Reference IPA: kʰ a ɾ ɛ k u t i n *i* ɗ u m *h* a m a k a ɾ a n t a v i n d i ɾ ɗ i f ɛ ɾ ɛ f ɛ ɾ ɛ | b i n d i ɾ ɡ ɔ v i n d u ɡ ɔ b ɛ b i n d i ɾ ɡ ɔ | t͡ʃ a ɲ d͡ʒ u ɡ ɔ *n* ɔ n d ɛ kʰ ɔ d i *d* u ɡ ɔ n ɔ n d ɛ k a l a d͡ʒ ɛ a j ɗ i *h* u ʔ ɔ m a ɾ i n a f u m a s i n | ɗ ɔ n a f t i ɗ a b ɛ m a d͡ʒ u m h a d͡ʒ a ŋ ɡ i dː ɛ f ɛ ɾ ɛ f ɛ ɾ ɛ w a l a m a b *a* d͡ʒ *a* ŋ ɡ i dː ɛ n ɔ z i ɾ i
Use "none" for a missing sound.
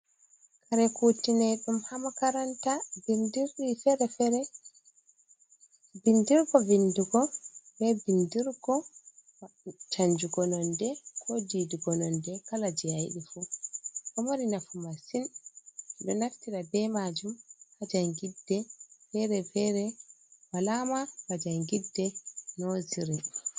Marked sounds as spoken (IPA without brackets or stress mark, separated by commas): ɛ, h, n, d, f, a, a